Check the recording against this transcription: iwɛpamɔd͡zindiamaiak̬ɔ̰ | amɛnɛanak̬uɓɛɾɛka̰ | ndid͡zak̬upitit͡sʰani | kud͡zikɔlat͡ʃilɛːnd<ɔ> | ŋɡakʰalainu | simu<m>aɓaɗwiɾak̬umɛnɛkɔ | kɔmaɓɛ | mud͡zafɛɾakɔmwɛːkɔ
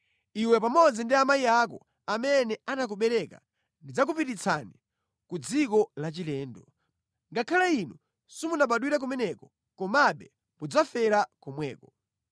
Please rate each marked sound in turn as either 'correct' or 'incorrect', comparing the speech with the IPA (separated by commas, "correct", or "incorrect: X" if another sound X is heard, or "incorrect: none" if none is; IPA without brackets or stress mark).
correct, incorrect: n